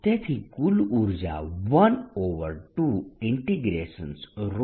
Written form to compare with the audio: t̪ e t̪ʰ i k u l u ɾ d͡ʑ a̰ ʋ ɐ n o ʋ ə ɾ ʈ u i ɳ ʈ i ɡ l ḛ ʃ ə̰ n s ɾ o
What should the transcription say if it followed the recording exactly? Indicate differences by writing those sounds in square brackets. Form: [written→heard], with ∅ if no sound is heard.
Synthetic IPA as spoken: t̪ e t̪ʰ i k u l u ɾ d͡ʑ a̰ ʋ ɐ n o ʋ ə ɾ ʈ u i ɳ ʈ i ɡ [l→ɾ] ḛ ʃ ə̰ n s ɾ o